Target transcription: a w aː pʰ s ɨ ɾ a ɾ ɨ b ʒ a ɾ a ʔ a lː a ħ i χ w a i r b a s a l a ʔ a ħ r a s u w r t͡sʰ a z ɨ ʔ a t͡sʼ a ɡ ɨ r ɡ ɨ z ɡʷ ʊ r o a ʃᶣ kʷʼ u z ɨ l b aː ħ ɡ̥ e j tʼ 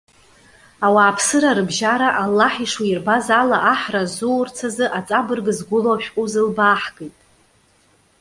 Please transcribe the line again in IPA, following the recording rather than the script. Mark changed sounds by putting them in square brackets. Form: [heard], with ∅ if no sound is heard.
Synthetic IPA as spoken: a w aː pʰ s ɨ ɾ a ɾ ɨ b ʒ a ɾ a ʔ a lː a ħ i [ʂ] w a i r b a [z] a l a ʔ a ħ r a [z] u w r t͡sʰ a z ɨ ʔ a t͡sʼ a [b] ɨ r ɡ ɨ z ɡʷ ʊ [l] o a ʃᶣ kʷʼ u z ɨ l b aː ħ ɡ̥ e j tʼ